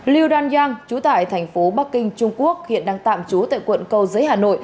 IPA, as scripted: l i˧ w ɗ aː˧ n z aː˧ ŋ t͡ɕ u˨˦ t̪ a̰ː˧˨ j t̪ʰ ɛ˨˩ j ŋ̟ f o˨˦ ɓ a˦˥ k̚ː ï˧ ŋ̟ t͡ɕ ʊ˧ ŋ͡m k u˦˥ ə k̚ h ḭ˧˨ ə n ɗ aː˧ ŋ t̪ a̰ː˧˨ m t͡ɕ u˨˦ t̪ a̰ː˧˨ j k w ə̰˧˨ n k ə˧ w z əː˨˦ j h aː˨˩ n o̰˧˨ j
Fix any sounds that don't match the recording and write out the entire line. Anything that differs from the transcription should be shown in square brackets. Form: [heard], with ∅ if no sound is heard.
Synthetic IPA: l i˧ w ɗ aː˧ n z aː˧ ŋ t͡ɕ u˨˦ t̪ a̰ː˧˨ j t̪ʰ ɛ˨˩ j ŋ̟ f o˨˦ ɓ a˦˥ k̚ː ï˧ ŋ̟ t͡ɕ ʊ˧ ŋ͡m k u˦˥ ə k̚ h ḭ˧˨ ə n ɗ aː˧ ŋ t̪ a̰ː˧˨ m t͡ɕ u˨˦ t̪ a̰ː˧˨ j k w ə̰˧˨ n k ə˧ w z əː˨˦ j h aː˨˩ n o̰˧˨ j